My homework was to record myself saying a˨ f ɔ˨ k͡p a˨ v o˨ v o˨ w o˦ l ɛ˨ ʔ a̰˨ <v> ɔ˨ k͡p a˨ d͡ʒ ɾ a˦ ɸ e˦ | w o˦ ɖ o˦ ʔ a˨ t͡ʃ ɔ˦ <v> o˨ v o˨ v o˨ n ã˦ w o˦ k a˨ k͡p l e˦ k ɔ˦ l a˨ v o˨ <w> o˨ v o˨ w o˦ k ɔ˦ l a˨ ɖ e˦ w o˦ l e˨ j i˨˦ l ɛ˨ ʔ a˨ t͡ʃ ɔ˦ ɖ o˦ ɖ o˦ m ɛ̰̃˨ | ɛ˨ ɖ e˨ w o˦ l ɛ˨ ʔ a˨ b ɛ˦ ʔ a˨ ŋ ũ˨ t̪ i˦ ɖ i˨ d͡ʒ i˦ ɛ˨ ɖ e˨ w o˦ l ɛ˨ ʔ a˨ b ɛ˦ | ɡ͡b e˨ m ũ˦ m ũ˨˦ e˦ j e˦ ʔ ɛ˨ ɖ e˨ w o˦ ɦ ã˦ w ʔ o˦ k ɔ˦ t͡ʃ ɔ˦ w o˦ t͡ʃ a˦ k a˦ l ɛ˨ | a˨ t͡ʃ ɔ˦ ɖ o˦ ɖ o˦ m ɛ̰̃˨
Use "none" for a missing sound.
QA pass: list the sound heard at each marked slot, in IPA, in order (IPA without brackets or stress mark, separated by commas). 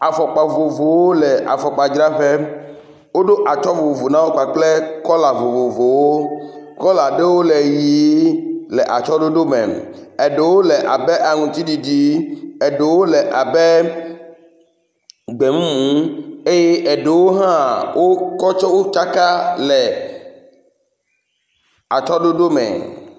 f, v, v